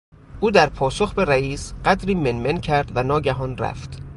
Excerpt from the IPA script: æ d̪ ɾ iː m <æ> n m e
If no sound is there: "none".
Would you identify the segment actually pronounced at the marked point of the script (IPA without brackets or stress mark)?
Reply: e